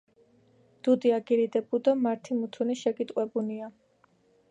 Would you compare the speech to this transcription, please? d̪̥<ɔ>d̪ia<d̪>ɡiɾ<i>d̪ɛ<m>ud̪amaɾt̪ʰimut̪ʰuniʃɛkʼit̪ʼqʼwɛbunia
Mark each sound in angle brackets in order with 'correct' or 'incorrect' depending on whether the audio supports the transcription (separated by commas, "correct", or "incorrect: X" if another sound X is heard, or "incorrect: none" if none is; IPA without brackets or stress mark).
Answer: incorrect: u, incorrect: none, correct, incorrect: b